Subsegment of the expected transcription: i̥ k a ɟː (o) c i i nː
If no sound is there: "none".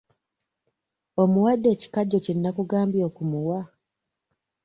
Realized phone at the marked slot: o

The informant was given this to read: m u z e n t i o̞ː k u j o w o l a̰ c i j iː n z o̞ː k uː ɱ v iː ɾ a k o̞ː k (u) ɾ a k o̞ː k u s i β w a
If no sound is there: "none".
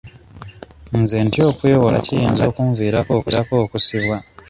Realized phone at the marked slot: u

